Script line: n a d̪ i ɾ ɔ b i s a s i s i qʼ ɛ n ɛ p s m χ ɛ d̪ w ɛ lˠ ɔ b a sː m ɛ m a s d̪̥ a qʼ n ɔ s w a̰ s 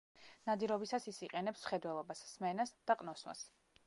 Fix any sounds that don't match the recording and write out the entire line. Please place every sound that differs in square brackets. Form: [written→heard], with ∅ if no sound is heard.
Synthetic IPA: n a d̪ i ɾ ɔ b i s a s i s i qʼ ɛ n ɛ p s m χ ɛ d̪ w ɛ lˠ ɔ b a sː m ɛ [m→n] a s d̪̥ a qʼ n ɔ s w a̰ s